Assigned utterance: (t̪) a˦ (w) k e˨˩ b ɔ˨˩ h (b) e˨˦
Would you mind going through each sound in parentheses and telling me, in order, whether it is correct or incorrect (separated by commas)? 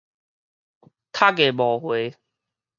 incorrect, incorrect, incorrect